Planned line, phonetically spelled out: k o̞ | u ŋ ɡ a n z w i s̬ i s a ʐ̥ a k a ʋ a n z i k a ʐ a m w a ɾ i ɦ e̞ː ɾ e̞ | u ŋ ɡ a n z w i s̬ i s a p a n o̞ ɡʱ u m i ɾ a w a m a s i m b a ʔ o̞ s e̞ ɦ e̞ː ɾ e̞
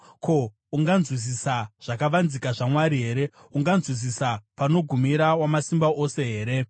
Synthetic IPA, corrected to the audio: k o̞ | u ŋ ɡ a n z w i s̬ i s a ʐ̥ a k a ʋ a n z i k a ʐ a m w a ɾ i ɦ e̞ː ɾ e̞ | u ŋ ɡ a n z w i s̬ i s a p a n o̞ ɡʱ u m i ɾ a w a m a s i m b a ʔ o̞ s e̞ ɦ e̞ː ɾ e̞